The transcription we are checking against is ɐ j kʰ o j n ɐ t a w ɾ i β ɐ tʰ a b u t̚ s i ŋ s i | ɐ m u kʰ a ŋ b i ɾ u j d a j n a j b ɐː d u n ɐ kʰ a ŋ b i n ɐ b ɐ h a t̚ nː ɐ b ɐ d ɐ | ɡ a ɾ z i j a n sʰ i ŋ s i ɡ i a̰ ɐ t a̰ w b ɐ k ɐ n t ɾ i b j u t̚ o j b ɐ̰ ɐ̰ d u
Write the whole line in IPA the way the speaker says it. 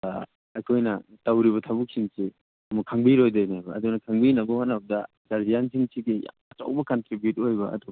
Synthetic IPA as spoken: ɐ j kʰ o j n ɐ t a w ɾ i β ɐ tʰ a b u k̚ s i ŋ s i | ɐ m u kʰ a ŋ b i ɾ o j d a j n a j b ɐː d u n ɐ kʰ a ŋ b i n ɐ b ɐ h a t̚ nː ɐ b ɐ d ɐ | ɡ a ɾ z i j a n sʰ i ŋ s i ɡ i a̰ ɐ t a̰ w b ɐ k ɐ n t ɾ i b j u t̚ o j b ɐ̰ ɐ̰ d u